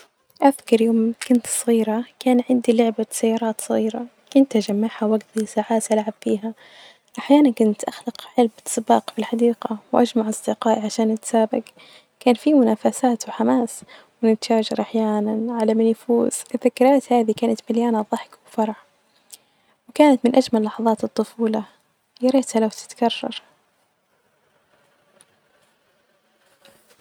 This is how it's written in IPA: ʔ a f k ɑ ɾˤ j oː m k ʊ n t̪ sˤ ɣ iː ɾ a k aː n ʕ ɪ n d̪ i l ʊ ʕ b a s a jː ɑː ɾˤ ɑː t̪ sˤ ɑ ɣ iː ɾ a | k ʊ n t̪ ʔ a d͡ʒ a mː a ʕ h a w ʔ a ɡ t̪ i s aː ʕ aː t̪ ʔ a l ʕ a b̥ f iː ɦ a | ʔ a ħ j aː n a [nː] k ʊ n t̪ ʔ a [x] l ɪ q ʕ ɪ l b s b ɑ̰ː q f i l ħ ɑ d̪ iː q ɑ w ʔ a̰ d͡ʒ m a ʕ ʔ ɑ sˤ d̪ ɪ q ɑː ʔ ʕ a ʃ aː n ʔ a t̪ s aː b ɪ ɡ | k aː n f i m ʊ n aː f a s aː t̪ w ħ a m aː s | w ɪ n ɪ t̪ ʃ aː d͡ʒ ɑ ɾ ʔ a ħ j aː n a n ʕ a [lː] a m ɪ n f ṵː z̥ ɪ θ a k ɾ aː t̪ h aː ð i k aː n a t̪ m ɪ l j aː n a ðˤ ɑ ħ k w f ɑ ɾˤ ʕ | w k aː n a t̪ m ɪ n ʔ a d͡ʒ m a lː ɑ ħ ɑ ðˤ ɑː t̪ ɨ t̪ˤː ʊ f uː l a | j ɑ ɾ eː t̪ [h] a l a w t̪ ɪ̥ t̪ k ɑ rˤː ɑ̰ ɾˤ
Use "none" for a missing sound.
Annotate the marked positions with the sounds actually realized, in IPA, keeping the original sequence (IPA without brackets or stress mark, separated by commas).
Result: n, x, l, h